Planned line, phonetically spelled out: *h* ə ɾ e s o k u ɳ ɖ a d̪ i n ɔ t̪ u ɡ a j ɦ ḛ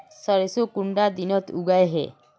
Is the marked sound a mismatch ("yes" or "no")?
yes